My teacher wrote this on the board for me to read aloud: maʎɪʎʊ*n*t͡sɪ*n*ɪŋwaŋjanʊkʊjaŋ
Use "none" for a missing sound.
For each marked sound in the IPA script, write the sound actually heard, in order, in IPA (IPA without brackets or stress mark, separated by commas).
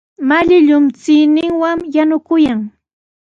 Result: m, n